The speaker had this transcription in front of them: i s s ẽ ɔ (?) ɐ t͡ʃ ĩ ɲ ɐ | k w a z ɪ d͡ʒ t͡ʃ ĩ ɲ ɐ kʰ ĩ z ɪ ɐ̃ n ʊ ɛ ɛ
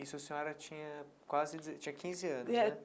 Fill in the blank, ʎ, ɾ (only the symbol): ɾ